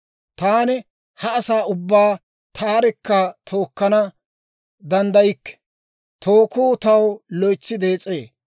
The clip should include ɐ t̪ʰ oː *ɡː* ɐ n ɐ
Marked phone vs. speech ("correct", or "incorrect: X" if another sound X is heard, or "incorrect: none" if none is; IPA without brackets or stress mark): incorrect: kː